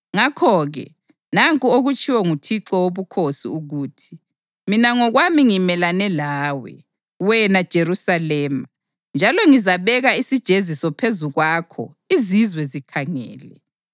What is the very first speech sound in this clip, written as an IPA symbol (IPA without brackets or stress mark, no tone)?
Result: ŋ